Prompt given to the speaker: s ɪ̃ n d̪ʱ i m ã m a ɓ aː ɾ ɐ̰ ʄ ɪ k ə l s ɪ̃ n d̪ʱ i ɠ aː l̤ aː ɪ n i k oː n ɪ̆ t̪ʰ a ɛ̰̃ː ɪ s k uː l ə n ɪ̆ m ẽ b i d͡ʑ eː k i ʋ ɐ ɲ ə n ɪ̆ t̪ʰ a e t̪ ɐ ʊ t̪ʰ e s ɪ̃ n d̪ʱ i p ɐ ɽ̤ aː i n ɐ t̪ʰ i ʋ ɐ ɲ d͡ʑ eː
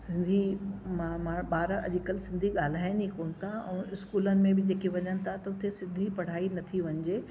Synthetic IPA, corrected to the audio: s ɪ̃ n d̪ʱ i m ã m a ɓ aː ɾ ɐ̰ ʄ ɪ k ə l s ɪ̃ n d̪ʱ i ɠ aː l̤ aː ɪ n i k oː n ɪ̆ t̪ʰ a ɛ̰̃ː ɪ s k uː l ə n ɪ̆ m ẽ b ɪ d͡ʑ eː k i ʋ ɐ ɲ ə n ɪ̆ t̪ʰ a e t̪ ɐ ʊ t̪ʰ e s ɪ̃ n d̪ʱ i p ɐ ɽ̤ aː i n ɐ t̪ʰ i ʋ ɐ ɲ d͡ʑ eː